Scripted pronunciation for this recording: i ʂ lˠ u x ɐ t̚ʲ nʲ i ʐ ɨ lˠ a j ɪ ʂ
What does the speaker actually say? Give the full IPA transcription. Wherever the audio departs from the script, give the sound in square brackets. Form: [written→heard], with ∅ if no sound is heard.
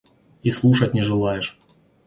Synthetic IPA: i [ʂ→s] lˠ u [x→ʂ] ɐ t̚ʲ nʲ [i→ɪ] ʐ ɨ lˠ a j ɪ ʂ